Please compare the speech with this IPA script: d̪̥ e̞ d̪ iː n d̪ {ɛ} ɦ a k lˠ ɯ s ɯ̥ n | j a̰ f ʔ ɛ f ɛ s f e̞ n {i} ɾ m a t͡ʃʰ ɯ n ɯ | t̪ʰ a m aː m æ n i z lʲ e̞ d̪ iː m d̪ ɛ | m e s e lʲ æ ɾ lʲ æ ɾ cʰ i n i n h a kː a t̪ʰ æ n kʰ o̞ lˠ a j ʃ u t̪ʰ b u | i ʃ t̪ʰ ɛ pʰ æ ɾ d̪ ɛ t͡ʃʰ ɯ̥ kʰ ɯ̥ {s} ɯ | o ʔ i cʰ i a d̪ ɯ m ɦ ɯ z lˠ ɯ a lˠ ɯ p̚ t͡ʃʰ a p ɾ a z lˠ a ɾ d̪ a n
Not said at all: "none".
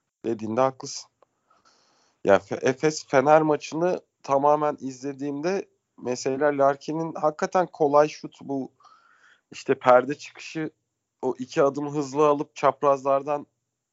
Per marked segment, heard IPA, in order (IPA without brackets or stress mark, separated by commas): ɛ, æ, ʃ